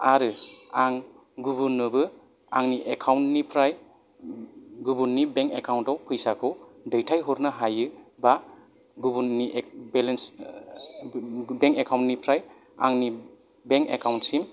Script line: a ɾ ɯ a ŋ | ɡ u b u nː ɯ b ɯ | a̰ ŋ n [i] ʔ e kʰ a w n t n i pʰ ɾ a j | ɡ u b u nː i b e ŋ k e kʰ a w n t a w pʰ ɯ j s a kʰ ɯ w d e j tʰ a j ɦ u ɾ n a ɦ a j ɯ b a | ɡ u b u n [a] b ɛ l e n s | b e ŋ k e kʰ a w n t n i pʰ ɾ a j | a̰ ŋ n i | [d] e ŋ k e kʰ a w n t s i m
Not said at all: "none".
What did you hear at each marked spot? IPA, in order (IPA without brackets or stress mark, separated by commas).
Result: i, i, b